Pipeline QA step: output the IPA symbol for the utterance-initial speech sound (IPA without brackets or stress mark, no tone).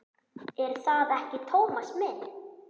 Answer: ɛ